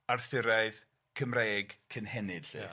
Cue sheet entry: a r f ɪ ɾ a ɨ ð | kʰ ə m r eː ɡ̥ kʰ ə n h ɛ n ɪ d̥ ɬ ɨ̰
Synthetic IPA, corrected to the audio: a r θ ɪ ɾ a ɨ ð | kʰ ə m r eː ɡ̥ kʰ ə n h ɛ n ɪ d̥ ɬ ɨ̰